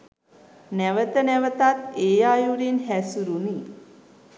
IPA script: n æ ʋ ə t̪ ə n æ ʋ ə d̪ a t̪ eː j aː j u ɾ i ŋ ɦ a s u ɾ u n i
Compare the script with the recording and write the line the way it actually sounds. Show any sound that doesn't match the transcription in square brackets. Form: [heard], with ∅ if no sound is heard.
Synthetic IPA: n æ ʋ ə t̪ ə n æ ʋ ə [t̪] a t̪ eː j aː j u ɾ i [n] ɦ [æ] s u ɾ u n i